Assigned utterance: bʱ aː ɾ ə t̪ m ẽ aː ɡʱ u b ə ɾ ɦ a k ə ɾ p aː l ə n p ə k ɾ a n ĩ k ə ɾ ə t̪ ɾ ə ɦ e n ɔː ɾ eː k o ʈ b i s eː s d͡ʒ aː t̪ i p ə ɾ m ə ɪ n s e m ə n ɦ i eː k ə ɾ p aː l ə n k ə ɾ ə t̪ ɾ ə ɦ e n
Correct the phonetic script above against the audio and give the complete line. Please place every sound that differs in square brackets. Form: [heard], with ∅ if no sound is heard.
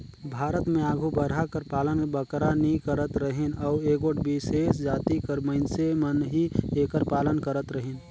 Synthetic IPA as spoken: bʱ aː ɾ ə t̪ m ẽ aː ɡʱ u b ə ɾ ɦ a k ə ɾ p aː l ə n [b] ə k ɾ a n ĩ k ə ɾ ə t̪ ɾ ə ɦ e n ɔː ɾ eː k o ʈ b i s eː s d͡ʒ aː t̪ i [k] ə ɾ m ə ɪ n s e m ə n ɦ i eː k ə ɾ p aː l ə n k ə ɾ ə t̪ ɾ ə ɦ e n